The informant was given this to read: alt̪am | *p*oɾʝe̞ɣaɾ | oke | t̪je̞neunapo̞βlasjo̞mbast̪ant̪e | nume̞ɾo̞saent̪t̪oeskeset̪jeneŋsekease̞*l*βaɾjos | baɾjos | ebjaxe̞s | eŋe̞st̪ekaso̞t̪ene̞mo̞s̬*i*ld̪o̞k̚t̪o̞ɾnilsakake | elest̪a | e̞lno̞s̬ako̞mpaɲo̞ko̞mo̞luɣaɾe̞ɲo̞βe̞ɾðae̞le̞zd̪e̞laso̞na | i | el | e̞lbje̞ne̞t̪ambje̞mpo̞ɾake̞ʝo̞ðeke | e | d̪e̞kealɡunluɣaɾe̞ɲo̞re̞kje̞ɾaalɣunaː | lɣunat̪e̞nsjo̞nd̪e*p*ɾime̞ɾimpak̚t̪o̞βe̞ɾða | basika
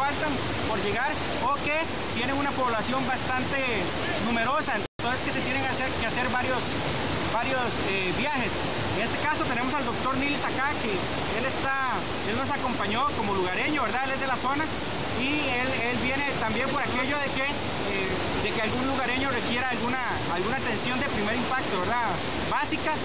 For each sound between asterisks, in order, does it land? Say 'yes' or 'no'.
yes, no, no, yes

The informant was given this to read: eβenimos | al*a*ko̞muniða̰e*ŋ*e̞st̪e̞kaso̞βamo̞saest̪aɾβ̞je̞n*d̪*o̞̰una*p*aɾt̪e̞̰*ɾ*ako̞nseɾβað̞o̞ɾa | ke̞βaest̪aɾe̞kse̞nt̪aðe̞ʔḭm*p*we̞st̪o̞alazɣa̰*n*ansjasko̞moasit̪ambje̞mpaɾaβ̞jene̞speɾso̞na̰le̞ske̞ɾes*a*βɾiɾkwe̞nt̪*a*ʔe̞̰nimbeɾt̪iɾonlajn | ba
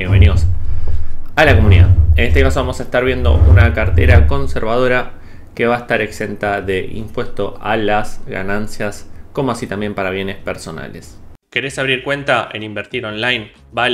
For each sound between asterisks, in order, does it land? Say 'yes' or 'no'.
yes, no, yes, no, yes, yes, yes, yes, yes

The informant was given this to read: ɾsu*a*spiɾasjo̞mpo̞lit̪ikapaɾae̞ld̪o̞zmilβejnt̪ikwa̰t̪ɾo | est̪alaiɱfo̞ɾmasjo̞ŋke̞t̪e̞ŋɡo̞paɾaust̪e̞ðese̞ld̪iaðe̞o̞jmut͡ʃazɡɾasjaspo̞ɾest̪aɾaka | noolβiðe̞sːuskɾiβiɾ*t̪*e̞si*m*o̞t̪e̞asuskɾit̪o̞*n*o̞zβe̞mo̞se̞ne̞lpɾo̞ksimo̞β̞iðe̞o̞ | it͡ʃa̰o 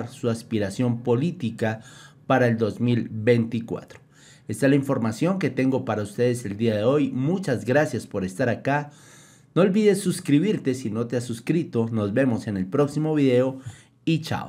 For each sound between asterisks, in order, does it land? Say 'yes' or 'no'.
yes, yes, no, yes

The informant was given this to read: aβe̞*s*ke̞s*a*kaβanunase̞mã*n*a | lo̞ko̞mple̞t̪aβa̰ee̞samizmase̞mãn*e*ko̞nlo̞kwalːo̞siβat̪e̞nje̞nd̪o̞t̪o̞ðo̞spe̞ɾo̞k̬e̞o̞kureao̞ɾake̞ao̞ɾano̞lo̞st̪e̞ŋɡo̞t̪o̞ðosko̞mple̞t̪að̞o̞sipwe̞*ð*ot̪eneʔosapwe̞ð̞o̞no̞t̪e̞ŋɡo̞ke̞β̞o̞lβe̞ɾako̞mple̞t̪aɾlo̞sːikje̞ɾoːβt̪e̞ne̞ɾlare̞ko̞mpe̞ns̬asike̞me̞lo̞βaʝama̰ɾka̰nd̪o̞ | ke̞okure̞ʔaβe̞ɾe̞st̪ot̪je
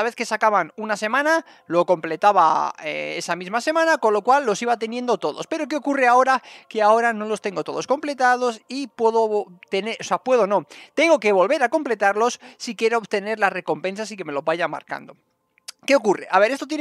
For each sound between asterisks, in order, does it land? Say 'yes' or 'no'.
no, yes, yes, no, yes

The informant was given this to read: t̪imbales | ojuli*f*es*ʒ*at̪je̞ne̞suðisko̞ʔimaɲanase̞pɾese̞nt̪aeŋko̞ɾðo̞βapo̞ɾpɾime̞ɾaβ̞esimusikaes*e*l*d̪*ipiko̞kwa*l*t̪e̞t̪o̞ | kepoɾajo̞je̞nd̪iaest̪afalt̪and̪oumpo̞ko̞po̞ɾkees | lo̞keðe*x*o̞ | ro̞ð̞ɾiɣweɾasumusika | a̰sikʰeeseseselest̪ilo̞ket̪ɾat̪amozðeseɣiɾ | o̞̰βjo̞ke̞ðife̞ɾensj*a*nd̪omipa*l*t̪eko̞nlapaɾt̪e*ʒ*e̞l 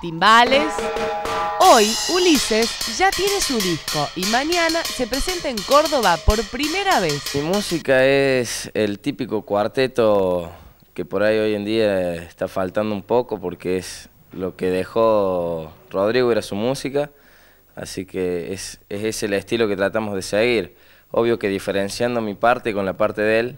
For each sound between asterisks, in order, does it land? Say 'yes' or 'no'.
no, yes, yes, no, no, yes, yes, no, no

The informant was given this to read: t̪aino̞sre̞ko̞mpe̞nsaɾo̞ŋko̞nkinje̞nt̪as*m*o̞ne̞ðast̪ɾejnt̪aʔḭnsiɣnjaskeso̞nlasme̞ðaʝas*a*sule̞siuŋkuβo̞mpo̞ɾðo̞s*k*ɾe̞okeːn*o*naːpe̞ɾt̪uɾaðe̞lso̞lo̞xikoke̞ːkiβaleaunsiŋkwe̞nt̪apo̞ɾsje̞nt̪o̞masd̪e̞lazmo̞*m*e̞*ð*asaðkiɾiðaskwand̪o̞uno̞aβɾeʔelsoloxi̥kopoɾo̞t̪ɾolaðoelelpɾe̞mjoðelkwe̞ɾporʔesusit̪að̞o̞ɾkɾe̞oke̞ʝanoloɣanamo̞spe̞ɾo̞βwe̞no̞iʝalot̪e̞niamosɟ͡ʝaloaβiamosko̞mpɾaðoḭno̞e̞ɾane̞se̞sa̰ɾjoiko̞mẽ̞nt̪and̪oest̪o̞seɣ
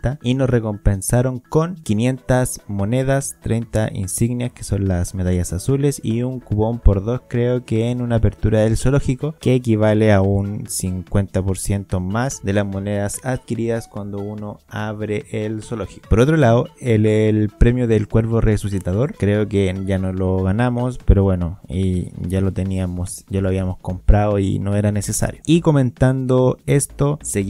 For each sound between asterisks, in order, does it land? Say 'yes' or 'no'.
yes, yes, yes, no, no, yes

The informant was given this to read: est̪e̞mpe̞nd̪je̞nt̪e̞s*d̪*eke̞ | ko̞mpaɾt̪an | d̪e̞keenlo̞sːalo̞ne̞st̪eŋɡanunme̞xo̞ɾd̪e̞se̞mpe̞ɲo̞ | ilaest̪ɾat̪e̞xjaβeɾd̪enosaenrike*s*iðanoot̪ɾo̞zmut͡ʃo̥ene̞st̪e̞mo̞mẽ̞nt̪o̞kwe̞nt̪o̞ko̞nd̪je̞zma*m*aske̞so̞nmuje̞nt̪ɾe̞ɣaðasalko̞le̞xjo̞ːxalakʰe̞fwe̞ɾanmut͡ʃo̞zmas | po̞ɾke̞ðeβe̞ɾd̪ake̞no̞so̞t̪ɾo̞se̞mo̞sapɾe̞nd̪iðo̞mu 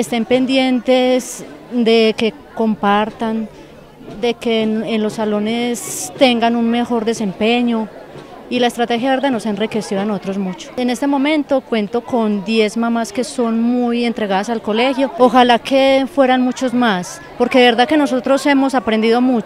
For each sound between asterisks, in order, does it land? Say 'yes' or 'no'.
yes, yes, yes

